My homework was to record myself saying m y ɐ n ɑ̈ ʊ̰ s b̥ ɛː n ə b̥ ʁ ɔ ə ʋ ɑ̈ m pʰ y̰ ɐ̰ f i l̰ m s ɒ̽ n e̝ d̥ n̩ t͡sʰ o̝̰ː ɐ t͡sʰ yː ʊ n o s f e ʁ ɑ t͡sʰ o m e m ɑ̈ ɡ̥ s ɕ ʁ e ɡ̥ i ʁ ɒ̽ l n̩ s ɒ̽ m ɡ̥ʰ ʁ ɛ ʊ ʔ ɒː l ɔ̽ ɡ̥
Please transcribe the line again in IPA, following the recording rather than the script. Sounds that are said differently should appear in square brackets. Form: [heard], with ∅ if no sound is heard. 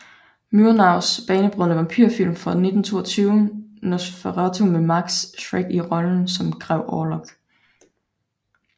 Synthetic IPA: m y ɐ n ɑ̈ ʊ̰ s b̥ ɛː n ə b̥ ʁ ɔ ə ʋ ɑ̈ m pʰ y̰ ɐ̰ f i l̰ m [f] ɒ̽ n e̝ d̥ n̩ t͡sʰ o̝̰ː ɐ t͡sʰ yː ʊ n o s f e ʁ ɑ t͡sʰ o m e m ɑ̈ ɡ̥ s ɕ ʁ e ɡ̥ i ʁ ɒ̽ l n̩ s ɒ̽ m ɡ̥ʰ ʁ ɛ ʊ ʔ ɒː l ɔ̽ ɡ̥